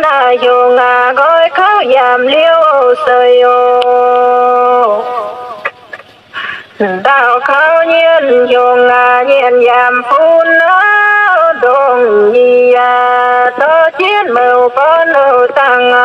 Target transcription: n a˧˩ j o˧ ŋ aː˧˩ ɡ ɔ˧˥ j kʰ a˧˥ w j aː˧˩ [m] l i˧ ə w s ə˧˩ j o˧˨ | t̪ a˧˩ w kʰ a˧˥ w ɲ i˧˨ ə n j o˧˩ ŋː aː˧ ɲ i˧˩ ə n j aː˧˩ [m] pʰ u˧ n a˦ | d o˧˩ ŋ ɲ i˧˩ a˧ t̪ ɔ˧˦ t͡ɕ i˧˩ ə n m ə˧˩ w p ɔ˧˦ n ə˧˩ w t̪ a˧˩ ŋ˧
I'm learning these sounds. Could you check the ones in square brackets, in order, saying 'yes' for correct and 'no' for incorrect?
yes, yes

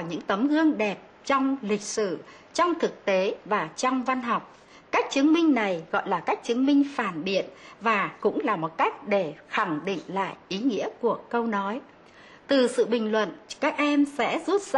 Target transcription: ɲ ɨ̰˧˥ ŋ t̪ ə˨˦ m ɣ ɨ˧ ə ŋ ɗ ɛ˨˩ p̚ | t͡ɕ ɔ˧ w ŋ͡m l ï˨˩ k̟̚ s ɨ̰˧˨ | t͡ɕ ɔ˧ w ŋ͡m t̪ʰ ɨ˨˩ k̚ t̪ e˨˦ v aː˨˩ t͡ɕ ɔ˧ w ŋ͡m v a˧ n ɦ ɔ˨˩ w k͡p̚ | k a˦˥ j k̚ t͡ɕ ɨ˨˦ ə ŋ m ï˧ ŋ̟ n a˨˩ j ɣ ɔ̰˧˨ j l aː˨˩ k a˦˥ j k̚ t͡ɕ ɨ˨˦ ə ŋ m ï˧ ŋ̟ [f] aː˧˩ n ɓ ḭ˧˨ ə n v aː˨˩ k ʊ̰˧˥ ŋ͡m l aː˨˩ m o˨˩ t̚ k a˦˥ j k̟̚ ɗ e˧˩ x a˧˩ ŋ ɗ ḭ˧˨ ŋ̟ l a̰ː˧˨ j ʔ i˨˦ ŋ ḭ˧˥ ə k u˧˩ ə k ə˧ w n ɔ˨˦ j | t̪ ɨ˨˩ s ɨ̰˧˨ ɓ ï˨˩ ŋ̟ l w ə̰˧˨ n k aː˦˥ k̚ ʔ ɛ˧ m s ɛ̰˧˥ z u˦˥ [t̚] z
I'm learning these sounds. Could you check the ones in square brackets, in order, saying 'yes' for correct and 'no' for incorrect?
yes, yes

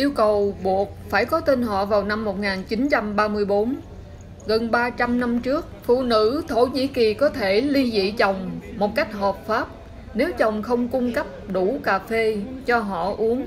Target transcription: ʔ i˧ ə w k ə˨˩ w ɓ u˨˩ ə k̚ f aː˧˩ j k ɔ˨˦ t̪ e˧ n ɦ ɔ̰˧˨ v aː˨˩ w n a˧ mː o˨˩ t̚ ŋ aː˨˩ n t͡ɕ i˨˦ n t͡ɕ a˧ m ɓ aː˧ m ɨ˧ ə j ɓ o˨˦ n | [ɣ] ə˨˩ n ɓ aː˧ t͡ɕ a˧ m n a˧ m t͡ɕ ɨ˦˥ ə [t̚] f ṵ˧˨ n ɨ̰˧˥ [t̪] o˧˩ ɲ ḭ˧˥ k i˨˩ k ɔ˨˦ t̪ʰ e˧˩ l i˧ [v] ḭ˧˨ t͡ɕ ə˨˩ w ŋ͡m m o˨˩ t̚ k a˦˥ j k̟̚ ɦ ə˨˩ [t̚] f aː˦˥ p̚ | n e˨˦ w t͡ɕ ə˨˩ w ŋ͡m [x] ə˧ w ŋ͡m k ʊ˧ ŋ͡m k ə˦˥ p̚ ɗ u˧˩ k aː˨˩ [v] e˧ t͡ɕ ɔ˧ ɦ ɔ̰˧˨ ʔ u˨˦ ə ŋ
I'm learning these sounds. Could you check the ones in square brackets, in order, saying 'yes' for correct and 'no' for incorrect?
yes, no, no, no, no, yes, no

